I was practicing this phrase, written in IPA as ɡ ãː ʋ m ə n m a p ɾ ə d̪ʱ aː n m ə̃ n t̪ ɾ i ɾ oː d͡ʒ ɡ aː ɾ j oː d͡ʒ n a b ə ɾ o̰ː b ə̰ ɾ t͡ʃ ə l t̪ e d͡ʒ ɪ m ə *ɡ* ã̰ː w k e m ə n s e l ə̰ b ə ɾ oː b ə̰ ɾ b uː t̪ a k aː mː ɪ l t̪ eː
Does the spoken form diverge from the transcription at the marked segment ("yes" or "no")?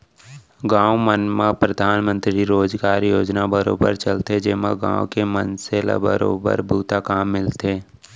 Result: no